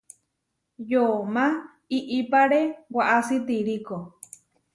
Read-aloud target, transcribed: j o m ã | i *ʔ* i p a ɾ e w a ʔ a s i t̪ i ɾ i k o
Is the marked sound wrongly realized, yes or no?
no